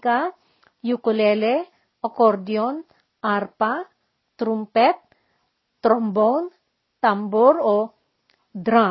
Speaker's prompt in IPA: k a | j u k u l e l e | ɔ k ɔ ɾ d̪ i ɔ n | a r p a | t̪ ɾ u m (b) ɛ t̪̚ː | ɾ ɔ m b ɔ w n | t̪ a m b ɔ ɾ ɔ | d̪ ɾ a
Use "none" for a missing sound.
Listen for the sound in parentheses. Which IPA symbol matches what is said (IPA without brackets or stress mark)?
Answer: p